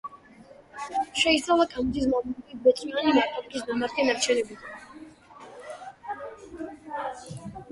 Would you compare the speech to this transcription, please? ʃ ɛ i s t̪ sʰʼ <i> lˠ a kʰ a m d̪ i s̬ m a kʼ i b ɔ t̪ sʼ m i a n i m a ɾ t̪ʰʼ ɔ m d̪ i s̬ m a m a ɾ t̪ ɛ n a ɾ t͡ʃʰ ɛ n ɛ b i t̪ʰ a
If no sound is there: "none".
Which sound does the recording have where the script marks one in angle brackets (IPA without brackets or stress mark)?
a